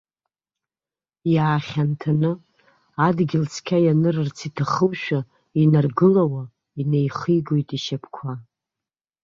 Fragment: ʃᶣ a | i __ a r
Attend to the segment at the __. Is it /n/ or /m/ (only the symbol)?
n